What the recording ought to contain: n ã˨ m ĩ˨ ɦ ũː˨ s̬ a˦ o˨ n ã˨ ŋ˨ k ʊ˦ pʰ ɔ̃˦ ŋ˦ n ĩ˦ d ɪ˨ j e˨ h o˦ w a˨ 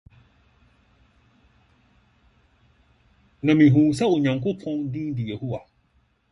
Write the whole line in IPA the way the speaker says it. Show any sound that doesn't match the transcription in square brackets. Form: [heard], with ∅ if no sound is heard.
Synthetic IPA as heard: n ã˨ m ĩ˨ ɦ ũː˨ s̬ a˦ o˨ [ɲ] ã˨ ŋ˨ k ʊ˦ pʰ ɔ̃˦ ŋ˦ [d] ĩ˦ d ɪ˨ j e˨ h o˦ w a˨